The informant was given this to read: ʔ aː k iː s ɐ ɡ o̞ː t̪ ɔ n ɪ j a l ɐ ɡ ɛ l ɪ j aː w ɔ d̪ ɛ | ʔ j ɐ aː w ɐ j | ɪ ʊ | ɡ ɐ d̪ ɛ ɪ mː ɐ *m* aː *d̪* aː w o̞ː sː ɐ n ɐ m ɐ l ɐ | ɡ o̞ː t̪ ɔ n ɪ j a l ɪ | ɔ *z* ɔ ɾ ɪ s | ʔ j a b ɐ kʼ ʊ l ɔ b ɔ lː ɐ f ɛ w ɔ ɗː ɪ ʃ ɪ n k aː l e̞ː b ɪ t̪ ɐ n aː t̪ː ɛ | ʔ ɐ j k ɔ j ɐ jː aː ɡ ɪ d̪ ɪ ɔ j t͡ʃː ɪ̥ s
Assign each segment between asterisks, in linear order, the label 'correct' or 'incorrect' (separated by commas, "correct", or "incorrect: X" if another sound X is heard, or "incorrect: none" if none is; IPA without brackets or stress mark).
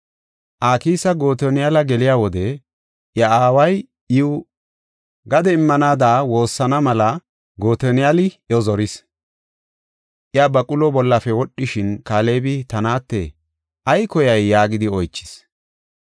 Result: incorrect: n, correct, correct